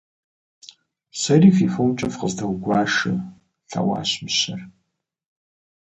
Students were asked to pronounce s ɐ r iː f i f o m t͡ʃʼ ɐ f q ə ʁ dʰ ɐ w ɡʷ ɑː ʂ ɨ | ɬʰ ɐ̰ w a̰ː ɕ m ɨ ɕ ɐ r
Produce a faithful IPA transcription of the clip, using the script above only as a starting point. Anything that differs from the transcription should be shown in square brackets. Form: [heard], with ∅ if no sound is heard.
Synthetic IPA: s ɐ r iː f i f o m t͡ʃʼ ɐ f q ə [z] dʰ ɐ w ɡʷ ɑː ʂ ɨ | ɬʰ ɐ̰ w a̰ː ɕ m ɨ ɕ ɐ r